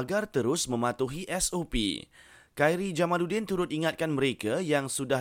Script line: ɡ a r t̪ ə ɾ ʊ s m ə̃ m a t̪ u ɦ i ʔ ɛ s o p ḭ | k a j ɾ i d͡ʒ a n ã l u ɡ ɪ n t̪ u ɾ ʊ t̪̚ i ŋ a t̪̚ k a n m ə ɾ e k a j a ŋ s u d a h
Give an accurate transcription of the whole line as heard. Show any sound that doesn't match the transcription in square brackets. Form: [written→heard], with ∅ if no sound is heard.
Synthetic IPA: ɡ a r t̪ ə ɾ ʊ s m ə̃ m a t̪ u ɦ i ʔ ɛ s o p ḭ | k a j ɾ i d͡ʒ a [n→m] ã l u [ɡ→d] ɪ n t̪ u ɾ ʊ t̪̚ i ŋ a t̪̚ k a n m ə ɾ e k a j a ŋ s u d a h